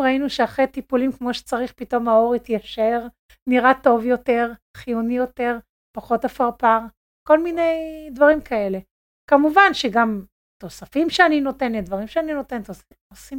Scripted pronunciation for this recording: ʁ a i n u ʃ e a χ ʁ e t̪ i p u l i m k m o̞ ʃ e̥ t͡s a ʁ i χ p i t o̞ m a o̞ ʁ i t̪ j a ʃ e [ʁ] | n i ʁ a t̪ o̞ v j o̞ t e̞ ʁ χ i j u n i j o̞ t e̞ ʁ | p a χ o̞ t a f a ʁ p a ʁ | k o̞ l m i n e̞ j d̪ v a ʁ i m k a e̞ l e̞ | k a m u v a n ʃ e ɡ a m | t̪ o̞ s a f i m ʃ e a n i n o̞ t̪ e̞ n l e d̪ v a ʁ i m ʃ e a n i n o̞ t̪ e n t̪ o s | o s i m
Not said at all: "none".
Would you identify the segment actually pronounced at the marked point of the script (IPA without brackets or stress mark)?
ʁ